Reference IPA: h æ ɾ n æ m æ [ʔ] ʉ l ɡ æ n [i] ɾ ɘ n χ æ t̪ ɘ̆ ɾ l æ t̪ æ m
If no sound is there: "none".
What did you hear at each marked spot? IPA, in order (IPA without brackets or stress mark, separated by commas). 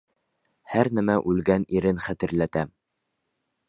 ʔ, i